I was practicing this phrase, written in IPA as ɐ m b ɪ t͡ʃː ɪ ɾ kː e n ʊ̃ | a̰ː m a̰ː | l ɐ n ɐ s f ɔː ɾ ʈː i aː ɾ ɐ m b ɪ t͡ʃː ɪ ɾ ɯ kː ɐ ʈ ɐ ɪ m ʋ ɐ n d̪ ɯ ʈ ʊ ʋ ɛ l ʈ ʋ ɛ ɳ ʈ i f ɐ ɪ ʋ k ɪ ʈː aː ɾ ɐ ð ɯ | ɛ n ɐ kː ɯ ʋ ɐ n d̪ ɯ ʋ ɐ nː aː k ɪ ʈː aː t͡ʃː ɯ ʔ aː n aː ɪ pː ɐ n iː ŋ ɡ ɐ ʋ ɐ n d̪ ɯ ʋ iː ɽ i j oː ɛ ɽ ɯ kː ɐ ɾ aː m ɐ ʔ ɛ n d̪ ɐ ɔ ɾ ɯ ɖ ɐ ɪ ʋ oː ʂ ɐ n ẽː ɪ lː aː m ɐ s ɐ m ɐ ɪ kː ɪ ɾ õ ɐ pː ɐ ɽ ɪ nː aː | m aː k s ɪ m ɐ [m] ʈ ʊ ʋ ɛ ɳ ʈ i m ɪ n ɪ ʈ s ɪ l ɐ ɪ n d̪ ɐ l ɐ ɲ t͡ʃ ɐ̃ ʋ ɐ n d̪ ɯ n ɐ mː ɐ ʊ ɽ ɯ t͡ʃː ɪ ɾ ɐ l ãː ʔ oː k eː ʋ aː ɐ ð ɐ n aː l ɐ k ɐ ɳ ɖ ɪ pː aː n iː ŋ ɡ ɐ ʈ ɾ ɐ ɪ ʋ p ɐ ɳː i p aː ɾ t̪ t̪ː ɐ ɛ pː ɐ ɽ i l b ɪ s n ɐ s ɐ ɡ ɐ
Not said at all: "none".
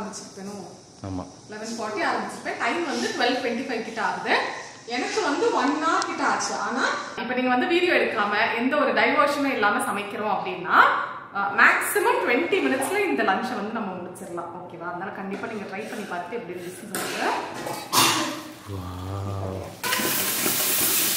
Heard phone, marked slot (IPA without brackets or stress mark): m